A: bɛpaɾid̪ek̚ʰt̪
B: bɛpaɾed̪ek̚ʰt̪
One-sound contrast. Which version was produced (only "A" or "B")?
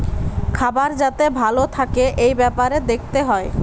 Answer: B